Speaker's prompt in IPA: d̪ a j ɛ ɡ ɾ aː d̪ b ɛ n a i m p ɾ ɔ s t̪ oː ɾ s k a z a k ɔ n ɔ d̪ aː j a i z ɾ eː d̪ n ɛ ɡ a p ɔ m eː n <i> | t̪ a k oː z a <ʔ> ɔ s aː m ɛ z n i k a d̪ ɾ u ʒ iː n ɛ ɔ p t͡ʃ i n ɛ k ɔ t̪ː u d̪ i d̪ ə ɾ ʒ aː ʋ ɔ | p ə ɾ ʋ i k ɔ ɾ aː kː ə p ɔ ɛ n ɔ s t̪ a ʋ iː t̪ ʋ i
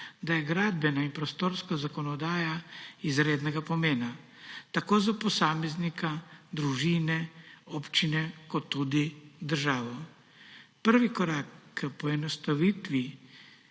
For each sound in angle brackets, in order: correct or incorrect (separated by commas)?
incorrect, incorrect